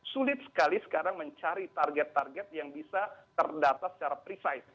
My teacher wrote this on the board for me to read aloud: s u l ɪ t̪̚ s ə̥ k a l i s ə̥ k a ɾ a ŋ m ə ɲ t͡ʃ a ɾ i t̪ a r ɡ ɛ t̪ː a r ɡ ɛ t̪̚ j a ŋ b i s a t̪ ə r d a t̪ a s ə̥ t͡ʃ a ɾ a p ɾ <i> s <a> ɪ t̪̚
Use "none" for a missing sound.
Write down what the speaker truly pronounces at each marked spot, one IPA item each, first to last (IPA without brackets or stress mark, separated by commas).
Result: i, a